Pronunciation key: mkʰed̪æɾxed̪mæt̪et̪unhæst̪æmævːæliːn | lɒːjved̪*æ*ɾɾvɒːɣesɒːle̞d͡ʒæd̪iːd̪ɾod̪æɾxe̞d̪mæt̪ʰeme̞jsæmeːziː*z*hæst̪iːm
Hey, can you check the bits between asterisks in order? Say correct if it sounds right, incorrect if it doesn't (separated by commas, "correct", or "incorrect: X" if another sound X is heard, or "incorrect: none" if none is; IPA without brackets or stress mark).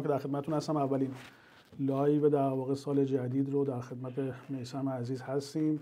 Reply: correct, correct